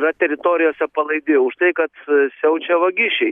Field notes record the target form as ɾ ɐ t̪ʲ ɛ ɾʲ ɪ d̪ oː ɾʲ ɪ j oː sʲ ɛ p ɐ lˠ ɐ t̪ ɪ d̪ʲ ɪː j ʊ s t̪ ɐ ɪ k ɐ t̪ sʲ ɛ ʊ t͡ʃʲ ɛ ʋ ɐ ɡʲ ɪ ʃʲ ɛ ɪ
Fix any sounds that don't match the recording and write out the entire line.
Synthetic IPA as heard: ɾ ɐ t̪ʲ ɛ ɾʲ ɪ t̪ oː ɾʲ ɪ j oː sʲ ɛ p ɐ lˠ ɐ ɪ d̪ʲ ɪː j ʊ ʃ t̪ ɐ ɪ k ɐ t̪ sʲ ɛ ʊ t͡ʃʲ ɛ ʋ ɐ ɡʲ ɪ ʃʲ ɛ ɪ